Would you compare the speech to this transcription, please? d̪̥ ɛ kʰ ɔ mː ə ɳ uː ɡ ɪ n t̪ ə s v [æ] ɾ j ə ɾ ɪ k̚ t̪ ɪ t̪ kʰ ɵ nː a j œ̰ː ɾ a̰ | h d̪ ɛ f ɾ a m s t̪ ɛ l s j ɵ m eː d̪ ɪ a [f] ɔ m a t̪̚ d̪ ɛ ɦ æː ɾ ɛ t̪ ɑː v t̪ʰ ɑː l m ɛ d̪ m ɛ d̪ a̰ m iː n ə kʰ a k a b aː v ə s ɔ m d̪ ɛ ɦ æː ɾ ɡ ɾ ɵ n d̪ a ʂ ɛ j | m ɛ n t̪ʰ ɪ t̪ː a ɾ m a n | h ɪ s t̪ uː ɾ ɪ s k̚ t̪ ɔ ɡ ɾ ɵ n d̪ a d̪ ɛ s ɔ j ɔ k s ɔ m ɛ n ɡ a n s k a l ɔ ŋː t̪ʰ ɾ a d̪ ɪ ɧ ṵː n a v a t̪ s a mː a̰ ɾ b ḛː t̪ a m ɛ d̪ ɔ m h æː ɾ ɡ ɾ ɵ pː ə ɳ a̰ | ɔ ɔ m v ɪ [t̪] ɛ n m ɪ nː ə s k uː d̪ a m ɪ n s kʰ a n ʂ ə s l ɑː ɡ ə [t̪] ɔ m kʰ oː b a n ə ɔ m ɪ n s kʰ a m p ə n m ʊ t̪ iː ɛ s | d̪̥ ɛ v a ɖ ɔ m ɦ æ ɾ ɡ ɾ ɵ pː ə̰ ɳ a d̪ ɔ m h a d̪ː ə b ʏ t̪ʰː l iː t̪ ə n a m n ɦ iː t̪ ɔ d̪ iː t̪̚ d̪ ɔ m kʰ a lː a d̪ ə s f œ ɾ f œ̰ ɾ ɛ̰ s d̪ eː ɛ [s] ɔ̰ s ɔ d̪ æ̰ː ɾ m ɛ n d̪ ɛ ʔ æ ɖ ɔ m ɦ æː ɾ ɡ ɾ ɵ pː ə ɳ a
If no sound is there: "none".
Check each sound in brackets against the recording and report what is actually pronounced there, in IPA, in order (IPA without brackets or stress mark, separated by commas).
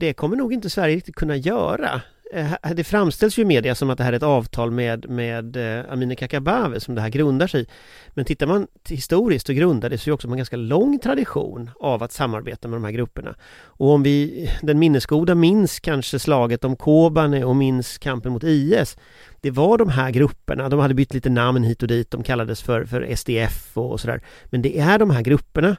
æ, s, d̪, t̪, f